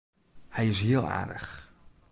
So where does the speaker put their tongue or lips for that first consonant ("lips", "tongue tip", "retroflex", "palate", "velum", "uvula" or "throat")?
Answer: throat